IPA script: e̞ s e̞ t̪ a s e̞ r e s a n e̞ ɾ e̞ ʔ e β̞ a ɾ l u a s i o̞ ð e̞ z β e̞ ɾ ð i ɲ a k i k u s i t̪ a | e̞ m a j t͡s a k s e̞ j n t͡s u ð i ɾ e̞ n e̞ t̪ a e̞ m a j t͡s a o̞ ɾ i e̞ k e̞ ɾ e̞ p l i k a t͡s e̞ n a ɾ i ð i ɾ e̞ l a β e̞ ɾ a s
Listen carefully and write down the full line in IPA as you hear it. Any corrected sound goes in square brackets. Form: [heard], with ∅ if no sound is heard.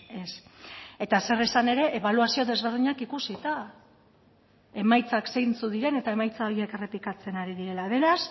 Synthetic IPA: e̞ s e̞ t̪ a s e̞ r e s a n e̞ ɾ e̞ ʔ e β̞ a [∅] l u a s i o̞ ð e̞ z β e̞ ɾ ð i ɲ a k i k u s i t̪ a | e̞ m a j t͡s a k s e̞ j n t͡s u ð i ɾ e̞ n e̞ t̪ a e̞ m a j t͡s a o̞ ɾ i e̞ k e̞ [r] e̞ p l i k a t͡s e̞ n a ɾ i ð i ɾ e̞ l a β e̞ ɾ a s